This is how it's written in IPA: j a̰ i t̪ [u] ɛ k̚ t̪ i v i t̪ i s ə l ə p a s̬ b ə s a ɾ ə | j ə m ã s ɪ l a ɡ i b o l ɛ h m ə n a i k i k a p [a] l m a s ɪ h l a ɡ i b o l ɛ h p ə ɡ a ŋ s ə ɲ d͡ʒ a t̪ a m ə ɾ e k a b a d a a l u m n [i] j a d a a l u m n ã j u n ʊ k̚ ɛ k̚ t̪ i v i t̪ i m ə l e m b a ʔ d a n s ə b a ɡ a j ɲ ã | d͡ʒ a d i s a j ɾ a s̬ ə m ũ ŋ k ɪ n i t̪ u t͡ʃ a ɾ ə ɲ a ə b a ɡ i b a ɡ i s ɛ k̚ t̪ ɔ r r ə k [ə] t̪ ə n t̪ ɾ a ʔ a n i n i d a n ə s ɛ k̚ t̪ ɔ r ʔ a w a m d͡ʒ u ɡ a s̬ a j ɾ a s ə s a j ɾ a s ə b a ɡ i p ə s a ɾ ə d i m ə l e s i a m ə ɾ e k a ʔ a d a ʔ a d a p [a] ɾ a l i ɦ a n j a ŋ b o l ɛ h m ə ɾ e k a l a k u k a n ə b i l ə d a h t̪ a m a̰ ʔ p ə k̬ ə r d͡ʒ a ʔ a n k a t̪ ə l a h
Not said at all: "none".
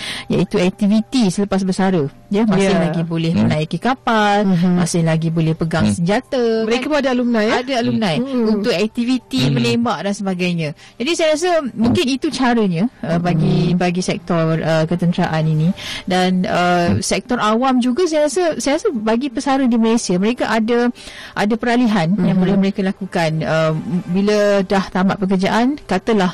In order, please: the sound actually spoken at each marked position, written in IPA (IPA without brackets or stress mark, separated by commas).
u, a, a, ə, ə